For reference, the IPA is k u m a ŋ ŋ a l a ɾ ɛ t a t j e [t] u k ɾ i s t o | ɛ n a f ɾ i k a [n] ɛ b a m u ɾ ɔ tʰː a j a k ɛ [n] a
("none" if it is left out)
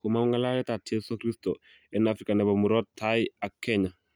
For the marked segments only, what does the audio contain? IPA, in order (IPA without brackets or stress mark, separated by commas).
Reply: s, n, ɲ